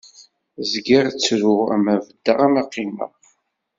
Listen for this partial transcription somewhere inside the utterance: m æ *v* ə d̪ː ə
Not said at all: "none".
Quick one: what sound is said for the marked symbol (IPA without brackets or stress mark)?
v